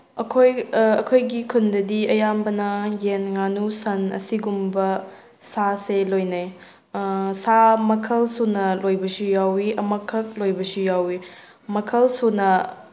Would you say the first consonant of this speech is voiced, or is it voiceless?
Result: voiceless